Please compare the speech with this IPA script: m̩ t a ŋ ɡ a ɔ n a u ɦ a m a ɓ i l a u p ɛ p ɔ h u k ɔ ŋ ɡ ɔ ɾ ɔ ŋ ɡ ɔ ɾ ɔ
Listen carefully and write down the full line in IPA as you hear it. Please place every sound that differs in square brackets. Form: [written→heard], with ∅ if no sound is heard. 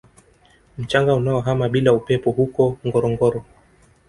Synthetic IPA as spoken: m̩ [t→t͡ʃ] a ŋ ɡ a [ɔ→u] n a [u→ɔ] ɦ a m a ɓ i l a u p ɛ p ɔ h u k ɔ ŋ ɡ ɔ ɾ ɔ ŋ ɡ ɔ ɾ ɔ